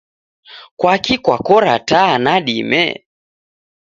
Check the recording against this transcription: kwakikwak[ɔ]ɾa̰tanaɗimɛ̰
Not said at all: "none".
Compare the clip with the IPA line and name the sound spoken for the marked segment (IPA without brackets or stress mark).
ɔ